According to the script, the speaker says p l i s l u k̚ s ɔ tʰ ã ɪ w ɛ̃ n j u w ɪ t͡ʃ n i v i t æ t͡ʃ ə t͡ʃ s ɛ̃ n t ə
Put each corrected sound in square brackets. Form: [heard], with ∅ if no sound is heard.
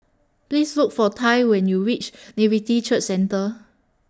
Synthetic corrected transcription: p l i s l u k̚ [f] ɔ tʰ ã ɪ w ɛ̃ n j u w [i] t͡ʃ n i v i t [i] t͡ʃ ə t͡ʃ s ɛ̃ n t ə